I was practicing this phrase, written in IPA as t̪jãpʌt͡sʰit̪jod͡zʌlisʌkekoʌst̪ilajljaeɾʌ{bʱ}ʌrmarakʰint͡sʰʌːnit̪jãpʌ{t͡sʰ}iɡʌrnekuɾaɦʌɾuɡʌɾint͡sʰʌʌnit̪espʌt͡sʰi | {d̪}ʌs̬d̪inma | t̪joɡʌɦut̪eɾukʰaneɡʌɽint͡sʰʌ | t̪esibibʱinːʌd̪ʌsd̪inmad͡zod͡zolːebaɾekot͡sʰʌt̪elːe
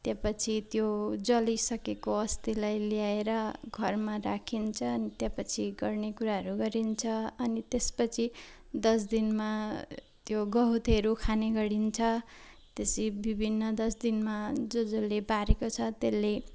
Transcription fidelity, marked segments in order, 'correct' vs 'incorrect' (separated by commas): incorrect, correct, correct